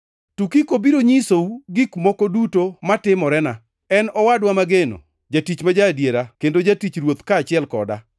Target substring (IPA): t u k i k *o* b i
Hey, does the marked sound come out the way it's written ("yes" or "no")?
yes